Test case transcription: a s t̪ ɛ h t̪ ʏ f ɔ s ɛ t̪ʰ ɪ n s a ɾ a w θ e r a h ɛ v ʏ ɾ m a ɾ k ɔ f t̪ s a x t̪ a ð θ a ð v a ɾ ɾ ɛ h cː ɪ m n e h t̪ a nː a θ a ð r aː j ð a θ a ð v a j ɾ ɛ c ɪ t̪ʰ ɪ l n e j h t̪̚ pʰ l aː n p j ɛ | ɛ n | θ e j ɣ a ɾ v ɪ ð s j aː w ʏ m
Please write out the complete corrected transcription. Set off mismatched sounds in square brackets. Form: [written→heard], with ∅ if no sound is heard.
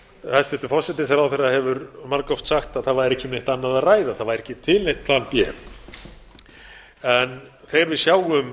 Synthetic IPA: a s t̪ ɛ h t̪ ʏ f ɔ s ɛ [t̪ʰ→t̪] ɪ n s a ɾ a w θ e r a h ɛ v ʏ ɾ m a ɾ k ɔ f t̪ s a x t̪ a ð θ a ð v a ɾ ɾ ɛ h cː ɪ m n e h t̪ a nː a [θ→ð] a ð r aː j ð a θ a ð v a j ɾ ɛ c ɪ t̪ʰ ɪ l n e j h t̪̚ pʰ l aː n p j ɛ | ɛ n | θ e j ɣ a ɾ v ɪ ð s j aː w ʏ m